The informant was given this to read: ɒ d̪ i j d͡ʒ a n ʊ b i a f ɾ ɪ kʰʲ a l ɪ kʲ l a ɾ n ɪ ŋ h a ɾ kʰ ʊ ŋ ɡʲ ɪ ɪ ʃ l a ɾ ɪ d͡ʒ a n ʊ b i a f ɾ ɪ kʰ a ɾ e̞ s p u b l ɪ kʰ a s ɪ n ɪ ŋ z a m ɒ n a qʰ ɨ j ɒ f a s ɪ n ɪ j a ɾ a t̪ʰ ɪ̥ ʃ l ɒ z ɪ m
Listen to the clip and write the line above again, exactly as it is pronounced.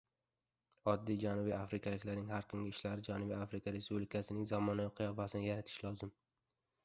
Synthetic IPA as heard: ɒ d̪ː i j d͡ʒ a n ʊ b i a f ɾ ɪ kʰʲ a l ɪ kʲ l a ɾ n ɪ ŋ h a ɾ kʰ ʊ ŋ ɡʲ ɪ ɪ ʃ l a ɾ ɪ d͡ʒ a n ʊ b i a f ɾ ɪ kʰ a ɾ e̞ s p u b l ɪ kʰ a s ɪ n ɪ ŋ z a m ɒ n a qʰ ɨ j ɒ f a s ɪ n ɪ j a ɾ a t̪ʰ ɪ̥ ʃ l ɒ z ɪ m